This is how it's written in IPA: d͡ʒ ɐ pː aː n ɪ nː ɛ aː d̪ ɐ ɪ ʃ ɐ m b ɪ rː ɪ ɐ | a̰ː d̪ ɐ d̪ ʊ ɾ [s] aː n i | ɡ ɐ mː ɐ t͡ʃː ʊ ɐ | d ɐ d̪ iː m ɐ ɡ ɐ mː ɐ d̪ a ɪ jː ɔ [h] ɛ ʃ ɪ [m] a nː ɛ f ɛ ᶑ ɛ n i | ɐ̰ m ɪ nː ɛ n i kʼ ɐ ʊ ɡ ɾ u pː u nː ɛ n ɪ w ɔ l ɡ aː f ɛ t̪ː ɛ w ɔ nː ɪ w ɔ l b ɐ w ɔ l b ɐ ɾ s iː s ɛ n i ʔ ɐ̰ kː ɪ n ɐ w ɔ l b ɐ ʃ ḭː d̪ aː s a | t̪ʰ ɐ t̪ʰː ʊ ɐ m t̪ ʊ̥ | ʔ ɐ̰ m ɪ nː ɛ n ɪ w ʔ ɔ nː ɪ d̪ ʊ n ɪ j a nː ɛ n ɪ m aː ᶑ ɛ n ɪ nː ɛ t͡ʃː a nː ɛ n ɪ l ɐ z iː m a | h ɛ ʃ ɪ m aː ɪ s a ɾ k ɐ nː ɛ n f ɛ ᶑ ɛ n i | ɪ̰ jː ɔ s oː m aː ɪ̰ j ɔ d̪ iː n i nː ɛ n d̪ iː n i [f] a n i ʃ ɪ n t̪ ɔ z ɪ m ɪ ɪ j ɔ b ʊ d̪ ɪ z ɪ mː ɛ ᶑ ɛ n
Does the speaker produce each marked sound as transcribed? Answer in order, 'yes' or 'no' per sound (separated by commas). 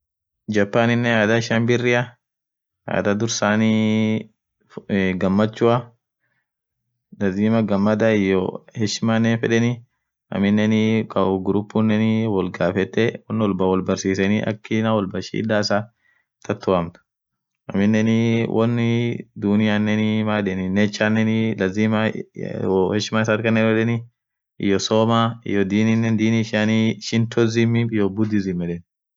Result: yes, yes, yes, no